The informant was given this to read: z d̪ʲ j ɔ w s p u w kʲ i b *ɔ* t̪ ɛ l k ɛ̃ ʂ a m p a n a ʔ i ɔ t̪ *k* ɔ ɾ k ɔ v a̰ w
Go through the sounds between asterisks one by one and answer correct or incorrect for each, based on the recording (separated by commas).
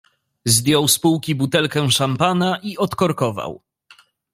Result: incorrect, correct